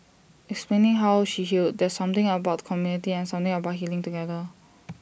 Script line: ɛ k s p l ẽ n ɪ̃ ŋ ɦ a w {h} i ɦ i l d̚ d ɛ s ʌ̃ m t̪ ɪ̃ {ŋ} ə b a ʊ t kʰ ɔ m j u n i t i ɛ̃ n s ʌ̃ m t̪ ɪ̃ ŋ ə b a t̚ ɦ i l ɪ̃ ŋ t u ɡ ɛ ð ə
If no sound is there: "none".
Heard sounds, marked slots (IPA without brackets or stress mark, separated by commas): ʃ, ŋ